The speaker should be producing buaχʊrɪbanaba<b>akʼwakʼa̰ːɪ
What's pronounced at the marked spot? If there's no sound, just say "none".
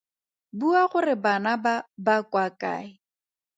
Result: b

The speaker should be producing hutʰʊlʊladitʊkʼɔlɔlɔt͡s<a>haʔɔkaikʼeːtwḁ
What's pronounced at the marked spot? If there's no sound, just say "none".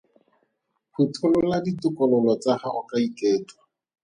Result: a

